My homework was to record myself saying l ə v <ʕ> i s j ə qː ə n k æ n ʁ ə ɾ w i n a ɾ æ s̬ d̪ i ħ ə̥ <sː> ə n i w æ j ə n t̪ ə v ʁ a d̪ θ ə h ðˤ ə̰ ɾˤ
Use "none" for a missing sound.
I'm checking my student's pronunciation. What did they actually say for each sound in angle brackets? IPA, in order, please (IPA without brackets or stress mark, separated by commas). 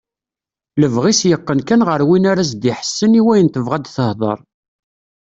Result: ʁ, sː